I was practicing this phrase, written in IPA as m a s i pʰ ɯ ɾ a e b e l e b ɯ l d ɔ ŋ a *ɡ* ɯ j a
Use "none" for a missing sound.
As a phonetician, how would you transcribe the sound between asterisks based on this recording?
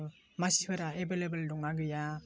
ɡ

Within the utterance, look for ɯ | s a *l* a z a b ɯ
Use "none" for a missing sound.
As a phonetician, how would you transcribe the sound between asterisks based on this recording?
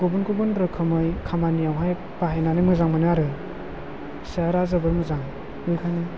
ɾ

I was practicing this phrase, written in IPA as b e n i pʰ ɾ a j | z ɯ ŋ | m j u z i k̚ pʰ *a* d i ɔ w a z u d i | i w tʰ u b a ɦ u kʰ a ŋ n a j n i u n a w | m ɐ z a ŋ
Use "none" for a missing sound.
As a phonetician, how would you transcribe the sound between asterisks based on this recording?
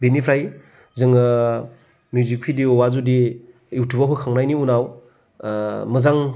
i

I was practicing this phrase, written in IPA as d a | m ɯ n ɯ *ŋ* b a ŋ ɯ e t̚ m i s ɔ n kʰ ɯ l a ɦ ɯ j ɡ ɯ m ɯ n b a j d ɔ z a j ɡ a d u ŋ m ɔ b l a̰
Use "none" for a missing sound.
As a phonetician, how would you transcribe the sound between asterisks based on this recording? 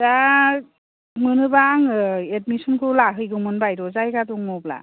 none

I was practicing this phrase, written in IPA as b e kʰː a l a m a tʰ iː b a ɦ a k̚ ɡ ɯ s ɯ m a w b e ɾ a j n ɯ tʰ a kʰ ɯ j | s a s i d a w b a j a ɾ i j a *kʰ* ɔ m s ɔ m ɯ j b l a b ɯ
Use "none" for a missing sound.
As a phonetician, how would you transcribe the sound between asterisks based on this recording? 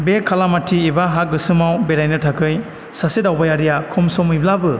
kʰ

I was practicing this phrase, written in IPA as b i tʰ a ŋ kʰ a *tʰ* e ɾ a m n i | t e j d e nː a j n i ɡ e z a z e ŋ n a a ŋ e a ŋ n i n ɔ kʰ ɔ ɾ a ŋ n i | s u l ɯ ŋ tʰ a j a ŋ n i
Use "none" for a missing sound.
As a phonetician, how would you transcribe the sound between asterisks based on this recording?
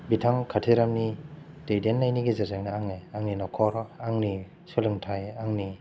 tʰ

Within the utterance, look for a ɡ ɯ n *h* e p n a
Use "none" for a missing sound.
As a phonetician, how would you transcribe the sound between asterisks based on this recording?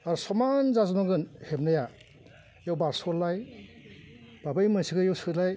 h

